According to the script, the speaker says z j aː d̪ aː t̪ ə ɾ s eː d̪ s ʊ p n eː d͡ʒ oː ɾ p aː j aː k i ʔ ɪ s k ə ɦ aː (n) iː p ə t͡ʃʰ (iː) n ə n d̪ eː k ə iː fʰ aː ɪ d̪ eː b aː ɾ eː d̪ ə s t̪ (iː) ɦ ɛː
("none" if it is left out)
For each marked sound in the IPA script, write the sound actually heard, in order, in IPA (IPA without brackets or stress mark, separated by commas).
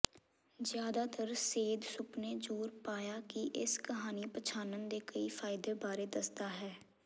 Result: n, aː, aː